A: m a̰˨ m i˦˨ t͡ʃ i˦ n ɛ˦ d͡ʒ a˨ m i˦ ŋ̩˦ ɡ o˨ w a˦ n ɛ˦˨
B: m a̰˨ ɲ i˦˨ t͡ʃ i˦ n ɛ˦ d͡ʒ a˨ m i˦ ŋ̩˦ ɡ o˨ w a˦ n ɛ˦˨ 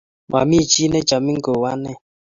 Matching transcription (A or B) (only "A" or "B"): A